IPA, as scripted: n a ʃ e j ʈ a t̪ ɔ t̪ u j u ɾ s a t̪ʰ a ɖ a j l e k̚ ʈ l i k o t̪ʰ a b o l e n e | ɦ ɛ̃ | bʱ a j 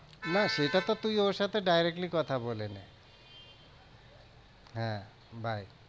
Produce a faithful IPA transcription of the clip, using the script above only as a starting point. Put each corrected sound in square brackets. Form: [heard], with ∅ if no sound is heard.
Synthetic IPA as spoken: n a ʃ e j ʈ a t̪ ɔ t̪ u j [o] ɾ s a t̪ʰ [e] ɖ a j [ɾ] e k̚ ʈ l i k [ɔ] t̪ʰ a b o l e n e | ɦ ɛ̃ | bʱ a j